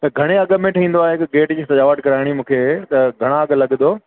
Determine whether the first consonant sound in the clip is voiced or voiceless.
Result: voiceless